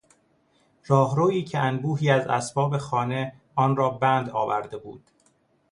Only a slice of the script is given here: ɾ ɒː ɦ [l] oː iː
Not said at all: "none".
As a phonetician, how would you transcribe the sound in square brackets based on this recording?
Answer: ɾ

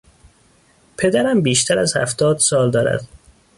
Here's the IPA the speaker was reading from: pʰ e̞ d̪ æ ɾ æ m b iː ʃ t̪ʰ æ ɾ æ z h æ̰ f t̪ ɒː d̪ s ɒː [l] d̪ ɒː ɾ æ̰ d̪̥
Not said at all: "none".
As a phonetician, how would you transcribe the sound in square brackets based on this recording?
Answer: l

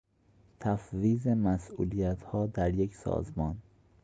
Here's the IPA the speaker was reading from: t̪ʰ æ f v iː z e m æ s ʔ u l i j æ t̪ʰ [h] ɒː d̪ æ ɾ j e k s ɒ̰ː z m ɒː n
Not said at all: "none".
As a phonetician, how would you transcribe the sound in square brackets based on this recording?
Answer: h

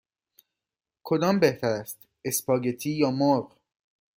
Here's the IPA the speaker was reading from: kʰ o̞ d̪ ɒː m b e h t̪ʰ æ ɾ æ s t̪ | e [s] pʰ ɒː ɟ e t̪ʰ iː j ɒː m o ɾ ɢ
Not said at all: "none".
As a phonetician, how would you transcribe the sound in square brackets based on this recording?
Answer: s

